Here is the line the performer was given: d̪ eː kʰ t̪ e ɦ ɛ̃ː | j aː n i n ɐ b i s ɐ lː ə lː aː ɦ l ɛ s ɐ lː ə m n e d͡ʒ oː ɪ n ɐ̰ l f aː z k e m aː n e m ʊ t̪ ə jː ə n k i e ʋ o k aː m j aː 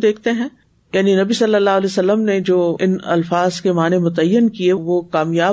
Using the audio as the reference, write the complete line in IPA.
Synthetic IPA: d̪ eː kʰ t̪ e ɦ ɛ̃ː | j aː n i n ɐ b i s ɐ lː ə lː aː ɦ l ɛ s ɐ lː ə m n e d͡ʒ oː ɪ n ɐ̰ l f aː z k e m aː n e m ʊ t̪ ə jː ə n k i e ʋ o k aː m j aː